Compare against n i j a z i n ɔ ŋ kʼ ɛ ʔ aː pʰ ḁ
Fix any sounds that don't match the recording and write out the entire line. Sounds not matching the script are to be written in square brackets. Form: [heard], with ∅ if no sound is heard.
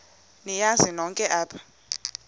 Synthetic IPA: n i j a z i n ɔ ŋ kʼ ɛ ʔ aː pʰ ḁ